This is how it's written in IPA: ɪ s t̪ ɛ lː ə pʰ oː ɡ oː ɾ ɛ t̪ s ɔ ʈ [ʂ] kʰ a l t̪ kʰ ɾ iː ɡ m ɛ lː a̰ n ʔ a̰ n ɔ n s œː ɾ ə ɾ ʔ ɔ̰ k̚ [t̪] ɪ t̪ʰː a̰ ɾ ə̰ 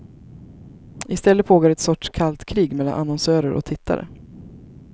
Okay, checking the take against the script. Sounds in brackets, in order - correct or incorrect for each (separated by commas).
correct, incorrect